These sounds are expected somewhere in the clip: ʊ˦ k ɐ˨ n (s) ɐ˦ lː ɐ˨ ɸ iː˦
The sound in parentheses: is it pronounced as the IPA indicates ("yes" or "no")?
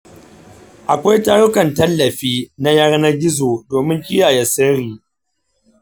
no